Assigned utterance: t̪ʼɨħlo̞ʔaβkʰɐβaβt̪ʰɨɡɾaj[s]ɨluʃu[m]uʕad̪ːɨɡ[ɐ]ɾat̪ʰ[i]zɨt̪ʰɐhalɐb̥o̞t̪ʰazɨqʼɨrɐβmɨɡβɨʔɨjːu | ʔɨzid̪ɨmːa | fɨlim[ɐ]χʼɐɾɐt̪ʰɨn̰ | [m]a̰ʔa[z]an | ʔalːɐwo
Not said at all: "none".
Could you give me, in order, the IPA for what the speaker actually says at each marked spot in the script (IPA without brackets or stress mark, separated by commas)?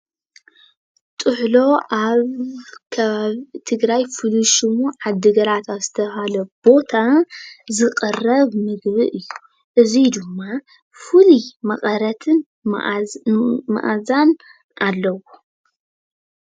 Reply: f, m, ɐ, a, ɐ, m, z